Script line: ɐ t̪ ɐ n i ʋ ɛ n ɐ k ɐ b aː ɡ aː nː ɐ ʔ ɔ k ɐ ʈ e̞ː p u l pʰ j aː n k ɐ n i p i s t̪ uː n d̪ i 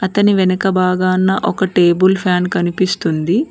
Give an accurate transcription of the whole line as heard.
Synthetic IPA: ɐ t̪ ɐ n i ʋ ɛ n ɐ k ɐ b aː ɡ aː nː ɐ ʔ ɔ k ɐ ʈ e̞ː b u l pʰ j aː n k ɐ n i p i s t̪ u n d̪ i